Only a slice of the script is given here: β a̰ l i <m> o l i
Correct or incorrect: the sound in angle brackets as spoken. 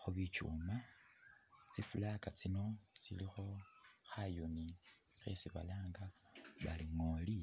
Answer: incorrect: ŋ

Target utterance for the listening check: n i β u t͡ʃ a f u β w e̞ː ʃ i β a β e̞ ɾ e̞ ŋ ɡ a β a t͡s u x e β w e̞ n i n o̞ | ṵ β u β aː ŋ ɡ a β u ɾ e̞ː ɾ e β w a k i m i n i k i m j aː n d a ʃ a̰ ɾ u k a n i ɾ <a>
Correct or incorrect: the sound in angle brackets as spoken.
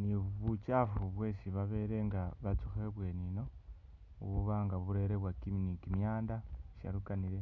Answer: incorrect: e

